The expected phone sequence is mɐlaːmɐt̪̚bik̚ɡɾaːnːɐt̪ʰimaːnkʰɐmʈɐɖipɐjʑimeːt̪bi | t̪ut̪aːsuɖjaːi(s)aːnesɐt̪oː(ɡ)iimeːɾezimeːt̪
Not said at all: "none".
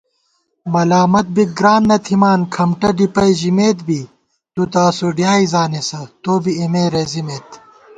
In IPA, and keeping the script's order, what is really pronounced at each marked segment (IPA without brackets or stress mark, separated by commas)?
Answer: z, b